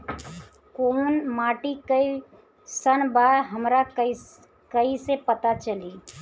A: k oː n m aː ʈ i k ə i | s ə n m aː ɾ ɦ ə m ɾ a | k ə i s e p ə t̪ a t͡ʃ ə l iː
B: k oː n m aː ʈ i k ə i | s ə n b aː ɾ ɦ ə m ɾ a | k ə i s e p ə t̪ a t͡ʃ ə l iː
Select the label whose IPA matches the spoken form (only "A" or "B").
B